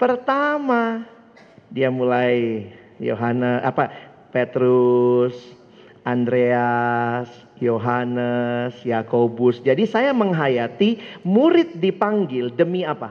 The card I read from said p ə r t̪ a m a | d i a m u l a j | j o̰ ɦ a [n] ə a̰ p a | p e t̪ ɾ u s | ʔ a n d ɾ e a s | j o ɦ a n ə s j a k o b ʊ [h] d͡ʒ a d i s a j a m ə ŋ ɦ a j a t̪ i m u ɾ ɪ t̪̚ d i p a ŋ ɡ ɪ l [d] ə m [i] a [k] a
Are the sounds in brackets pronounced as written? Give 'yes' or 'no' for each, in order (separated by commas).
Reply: yes, no, yes, yes, no